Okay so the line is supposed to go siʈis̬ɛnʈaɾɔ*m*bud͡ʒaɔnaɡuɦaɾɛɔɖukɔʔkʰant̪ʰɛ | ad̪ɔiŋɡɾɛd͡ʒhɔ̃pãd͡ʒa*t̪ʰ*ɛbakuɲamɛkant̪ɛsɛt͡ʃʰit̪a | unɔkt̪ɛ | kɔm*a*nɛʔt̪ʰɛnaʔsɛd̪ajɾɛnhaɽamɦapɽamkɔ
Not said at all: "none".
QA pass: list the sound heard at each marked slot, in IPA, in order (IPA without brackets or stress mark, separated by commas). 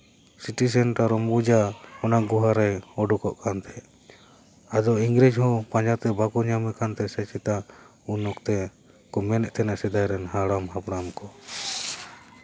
m, t̪, ɛ